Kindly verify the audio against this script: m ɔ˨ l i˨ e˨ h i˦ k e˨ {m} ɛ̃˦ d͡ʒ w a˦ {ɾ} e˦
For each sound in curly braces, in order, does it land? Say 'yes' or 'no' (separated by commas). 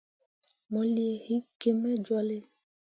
yes, no